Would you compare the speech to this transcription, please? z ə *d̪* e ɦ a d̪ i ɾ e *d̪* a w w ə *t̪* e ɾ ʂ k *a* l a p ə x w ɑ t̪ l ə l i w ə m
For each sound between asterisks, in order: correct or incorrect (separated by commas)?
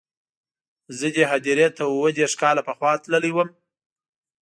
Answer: correct, incorrect, incorrect, incorrect